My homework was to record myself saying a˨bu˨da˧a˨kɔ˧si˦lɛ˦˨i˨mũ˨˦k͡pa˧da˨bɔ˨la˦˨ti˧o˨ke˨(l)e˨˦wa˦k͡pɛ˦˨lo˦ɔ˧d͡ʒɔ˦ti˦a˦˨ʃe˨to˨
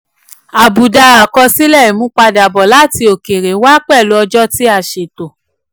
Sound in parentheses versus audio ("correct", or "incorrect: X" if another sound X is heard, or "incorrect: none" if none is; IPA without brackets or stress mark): incorrect: ɾ